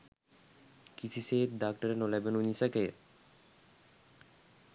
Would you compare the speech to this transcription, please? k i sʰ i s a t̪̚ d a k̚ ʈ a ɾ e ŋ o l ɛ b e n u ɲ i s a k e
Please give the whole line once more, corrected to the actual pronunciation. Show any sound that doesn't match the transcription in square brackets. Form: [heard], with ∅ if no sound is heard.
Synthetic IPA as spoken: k i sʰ i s [e] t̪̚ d a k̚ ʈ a ɾ e [n] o l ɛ b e n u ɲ i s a k e